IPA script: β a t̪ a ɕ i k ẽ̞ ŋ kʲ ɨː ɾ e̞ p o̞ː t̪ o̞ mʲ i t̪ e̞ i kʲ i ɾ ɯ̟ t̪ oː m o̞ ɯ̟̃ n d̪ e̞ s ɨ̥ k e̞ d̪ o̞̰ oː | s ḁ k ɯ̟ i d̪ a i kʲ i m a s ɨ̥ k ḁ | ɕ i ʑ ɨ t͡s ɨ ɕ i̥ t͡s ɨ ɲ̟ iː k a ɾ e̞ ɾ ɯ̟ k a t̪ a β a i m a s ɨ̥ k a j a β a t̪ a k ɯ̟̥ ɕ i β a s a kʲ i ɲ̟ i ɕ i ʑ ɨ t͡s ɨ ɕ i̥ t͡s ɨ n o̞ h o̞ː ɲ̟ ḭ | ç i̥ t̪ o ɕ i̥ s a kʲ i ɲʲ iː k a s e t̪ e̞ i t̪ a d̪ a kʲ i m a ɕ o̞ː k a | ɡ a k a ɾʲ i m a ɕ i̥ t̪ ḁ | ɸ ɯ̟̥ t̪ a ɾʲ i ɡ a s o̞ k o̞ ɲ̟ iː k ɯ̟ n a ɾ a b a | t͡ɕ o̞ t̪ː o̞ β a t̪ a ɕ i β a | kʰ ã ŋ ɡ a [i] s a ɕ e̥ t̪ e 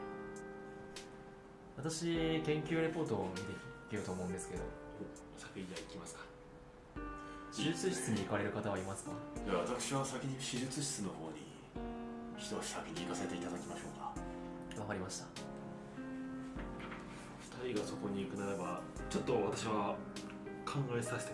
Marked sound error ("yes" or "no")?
yes